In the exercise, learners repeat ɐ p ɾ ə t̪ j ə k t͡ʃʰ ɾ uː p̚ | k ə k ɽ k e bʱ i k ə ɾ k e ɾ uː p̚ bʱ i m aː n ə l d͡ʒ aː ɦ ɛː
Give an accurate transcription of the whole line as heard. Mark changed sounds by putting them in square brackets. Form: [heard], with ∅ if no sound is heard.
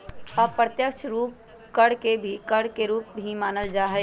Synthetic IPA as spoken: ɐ p ɾ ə t̪ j ə k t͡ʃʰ ɾ uː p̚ | k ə [∅] ɽ k e bʱ i k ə [ɽ] k e ɾ uː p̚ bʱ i m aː n ə l d͡ʒ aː ɦ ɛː